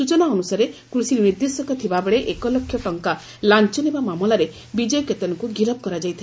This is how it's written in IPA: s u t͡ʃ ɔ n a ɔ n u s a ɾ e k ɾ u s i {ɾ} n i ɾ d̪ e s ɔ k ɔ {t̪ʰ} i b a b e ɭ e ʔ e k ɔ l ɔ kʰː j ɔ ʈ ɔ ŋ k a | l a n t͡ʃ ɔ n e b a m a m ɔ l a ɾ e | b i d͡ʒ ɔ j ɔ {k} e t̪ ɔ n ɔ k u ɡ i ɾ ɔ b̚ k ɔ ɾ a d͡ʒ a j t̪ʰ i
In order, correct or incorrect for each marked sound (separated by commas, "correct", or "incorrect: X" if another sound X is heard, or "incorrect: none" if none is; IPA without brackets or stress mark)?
correct, correct, correct